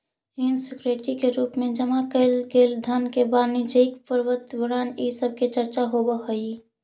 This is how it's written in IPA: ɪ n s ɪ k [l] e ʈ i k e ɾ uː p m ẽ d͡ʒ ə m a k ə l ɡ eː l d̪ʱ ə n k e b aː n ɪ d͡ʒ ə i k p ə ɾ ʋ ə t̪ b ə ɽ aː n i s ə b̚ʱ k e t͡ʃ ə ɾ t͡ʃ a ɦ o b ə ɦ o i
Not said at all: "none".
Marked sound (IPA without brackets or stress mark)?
ɾ